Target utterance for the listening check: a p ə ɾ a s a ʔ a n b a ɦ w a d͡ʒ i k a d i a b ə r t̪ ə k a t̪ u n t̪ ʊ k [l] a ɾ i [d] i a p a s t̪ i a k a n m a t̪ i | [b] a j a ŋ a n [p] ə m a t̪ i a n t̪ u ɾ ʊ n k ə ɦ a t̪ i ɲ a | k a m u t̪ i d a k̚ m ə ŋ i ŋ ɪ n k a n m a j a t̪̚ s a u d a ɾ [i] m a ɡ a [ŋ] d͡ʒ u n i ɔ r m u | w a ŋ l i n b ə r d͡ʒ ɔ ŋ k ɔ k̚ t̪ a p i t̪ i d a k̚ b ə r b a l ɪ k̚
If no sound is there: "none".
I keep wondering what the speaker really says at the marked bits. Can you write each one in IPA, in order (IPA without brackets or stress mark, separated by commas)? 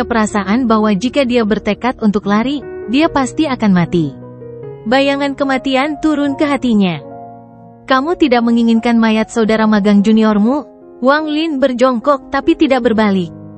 l, d, b, k, a, ŋ